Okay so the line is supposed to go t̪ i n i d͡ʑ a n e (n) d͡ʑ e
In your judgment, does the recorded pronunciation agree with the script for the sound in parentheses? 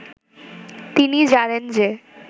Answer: yes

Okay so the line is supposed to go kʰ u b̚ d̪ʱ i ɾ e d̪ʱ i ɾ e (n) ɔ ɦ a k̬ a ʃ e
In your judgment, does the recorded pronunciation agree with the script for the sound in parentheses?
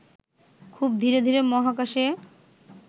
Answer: no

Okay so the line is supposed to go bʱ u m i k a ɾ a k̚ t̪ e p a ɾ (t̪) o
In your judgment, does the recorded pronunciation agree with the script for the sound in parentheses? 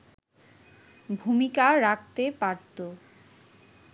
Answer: yes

